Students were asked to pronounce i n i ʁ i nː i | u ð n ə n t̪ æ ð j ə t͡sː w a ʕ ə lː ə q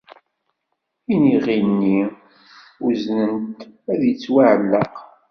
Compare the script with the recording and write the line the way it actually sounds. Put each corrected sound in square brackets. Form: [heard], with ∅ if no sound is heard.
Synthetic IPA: i n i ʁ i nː i | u [z] n ə n t̪ æ ð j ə t͡sː w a ʕ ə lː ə q